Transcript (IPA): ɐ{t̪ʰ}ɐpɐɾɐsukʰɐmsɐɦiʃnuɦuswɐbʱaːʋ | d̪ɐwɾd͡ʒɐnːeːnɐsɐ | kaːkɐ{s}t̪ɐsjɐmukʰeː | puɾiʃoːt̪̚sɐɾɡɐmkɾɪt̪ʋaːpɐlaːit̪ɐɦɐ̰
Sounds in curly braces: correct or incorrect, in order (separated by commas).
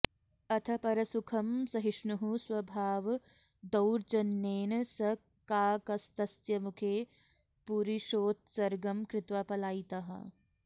correct, correct